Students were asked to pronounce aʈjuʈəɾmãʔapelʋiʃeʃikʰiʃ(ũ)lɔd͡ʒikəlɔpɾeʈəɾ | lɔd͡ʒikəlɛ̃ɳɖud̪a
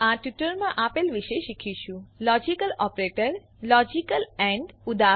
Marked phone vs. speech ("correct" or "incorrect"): correct